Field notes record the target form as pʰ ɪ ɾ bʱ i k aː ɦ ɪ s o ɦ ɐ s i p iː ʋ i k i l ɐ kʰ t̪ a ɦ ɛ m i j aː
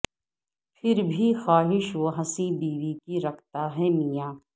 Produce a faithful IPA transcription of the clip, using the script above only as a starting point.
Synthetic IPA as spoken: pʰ ɪ ɾ bʱ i x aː ɦ ɪ ʃ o ɦ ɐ s i b iː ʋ i k i ɾ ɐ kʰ t̪ a ɦ ɛ m i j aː